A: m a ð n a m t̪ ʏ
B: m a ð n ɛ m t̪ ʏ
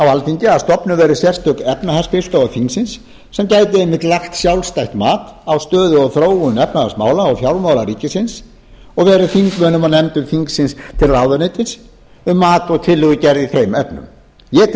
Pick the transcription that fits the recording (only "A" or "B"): B